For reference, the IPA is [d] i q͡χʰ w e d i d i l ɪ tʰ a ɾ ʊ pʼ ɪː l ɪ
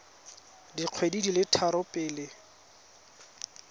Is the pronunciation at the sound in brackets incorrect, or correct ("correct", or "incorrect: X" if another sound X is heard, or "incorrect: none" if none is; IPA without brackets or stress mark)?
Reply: correct